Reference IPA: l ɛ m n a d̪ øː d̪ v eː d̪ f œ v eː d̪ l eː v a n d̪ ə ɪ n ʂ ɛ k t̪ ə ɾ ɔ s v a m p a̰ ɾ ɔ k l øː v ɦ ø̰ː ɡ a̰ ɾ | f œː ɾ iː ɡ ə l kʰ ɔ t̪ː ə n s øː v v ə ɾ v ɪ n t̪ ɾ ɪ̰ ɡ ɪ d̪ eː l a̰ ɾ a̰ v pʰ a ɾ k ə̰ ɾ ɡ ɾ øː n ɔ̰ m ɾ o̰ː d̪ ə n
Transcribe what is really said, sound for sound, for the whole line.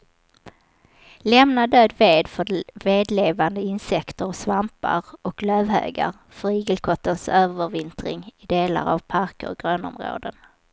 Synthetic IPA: l ɛ m n a d̪ øː d̪ v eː d̪ f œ v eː d̪ l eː v a n d̪ ə ɪ n s ɛ k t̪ ə ɾ ɔ s v a m p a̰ ɾ ɔ k l øː v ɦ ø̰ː ɡ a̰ ɾ | f œ ɾ iː ɡ ə l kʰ ɔ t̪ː ə n s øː v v ə ɾ v ɪ n t̪ ɾ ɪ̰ ŋ ɪ d̪ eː l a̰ ɾ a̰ v pʰ a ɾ k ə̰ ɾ ɡ ɾ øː n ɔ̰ m ɾ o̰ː d̪ ə n